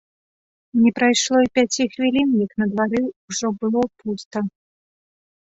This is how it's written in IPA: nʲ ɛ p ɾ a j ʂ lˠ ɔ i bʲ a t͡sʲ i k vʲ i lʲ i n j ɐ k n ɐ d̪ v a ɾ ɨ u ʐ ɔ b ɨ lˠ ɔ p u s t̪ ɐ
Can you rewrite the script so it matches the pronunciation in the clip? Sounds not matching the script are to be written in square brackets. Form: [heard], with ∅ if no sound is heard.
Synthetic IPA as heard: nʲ ɛ p ɾ a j ʂ lˠ ɔ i [pʲ] a t͡sʲ i [x] vʲ i lʲ i n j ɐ k n ɐ d̪ v a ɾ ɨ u ʐ ɔ b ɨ lˠ ɔ p u s t̪ ɐ

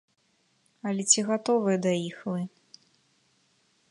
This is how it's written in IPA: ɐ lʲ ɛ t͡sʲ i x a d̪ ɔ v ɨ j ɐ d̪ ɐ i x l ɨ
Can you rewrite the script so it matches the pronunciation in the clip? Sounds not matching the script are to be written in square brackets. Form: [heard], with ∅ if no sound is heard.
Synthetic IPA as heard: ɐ lʲ ɛ t͡sʲ i [ɣ] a [t̪] ɔ v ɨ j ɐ d̪ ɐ i x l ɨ

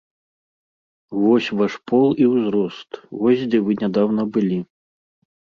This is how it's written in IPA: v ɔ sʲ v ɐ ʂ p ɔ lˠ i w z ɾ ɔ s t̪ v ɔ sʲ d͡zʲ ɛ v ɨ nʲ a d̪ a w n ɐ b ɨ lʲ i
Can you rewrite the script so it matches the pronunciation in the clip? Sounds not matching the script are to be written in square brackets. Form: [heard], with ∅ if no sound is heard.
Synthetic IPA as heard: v ɔ sʲ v [a] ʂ p ɔ lˠ i w z ɾ ɔ s t̪ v ɔ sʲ d͡zʲ ɛ v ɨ nʲ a d̪ a w n ɐ b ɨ lʲ i

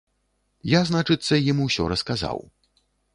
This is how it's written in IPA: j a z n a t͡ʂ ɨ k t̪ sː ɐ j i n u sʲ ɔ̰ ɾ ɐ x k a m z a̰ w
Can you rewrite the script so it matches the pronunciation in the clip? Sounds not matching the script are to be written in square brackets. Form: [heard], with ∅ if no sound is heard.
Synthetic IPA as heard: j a z n a t͡ʂ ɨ [∅] t̪ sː ɐ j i [m] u sʲ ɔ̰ ɾ ɐ [s] k a [∅] z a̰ w

